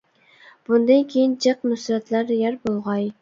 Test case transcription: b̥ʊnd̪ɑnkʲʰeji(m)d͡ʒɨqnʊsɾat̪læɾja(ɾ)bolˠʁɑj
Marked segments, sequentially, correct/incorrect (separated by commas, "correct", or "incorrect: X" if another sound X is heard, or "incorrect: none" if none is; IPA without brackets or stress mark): incorrect: n, correct